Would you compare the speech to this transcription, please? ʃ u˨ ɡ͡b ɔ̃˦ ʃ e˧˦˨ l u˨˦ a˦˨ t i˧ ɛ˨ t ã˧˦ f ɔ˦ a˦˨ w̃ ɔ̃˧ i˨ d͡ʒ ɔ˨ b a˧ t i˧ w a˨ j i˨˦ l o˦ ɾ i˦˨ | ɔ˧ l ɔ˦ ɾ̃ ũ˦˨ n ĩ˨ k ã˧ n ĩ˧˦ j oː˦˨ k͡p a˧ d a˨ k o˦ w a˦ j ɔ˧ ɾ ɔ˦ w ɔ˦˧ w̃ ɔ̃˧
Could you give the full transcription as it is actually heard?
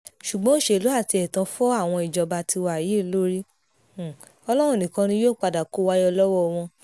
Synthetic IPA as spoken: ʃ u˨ ɡ͡b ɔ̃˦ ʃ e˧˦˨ l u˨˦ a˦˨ t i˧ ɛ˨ t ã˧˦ f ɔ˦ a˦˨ w̃ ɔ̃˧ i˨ d͡ʒ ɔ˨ b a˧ t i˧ w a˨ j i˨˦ l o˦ ɾ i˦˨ | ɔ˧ l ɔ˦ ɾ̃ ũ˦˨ n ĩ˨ k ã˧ n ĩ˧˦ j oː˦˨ k͡p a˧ d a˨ k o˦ w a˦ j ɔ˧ l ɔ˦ w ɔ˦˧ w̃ ɔ̃˧